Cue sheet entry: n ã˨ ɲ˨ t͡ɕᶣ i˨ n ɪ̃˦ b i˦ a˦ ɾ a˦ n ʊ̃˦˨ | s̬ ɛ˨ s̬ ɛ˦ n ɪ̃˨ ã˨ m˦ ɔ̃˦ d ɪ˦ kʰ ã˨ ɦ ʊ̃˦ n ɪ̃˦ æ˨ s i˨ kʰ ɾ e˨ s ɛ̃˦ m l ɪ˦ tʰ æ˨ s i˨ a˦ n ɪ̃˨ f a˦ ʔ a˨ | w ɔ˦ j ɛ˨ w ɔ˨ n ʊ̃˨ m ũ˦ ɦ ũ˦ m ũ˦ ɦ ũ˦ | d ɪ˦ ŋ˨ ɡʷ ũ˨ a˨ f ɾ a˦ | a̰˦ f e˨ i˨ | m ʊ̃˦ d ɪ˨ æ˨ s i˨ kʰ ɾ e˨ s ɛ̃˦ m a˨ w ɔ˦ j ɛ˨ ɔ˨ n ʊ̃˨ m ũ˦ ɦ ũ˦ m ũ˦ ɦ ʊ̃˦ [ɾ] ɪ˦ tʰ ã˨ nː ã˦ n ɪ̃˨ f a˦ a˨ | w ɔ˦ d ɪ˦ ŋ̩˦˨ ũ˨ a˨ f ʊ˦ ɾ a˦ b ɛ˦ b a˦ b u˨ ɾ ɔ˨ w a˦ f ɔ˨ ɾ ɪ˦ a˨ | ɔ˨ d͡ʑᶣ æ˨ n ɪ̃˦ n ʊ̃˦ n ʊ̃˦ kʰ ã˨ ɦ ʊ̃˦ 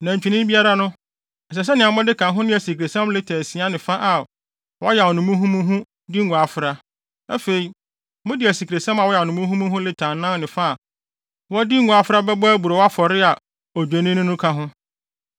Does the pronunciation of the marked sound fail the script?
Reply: yes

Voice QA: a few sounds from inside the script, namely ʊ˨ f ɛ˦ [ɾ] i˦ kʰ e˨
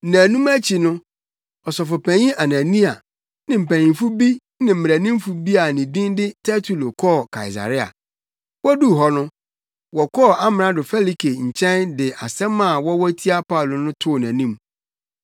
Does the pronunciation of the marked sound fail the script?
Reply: yes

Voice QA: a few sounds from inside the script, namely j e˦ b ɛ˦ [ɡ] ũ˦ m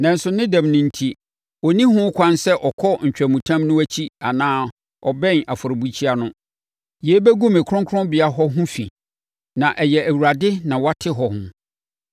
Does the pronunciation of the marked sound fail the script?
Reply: no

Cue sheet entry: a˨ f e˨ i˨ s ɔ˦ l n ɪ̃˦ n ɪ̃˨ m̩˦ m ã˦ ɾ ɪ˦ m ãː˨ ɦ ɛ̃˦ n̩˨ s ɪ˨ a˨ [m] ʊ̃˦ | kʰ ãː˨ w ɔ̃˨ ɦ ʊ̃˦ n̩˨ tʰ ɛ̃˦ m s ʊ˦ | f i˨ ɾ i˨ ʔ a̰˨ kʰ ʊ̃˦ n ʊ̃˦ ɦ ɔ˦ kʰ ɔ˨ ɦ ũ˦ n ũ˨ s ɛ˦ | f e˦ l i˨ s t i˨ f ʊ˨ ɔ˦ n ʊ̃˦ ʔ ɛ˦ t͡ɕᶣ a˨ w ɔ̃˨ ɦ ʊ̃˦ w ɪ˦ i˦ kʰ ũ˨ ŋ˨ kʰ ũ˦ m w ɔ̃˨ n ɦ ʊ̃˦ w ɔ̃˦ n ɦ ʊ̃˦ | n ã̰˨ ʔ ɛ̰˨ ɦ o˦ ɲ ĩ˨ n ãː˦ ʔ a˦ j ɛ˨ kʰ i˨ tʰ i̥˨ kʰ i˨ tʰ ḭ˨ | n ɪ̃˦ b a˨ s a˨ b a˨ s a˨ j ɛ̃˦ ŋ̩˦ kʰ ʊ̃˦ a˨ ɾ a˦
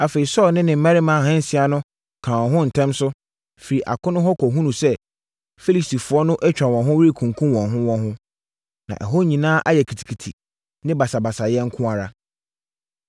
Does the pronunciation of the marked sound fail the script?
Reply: yes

